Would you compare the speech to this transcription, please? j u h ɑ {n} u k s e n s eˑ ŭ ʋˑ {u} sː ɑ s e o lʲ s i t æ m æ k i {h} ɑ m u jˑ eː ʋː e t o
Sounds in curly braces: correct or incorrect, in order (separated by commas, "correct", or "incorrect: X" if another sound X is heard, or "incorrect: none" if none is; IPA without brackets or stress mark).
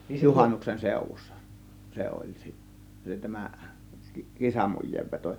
incorrect: nː, correct, incorrect: s